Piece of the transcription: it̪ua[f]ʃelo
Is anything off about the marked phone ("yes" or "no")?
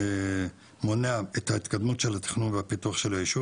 yes